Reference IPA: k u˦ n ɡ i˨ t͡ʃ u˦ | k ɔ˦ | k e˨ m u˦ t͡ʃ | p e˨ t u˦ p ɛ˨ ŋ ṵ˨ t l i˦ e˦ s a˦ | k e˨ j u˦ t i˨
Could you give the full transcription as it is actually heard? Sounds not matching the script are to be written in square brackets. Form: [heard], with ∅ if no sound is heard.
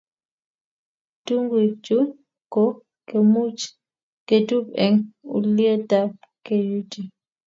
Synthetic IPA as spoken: [t] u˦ [ŋ] ɡ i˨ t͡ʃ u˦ | k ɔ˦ | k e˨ m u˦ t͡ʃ | [k] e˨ t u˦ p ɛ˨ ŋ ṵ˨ [∅] l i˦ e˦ [t] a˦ | k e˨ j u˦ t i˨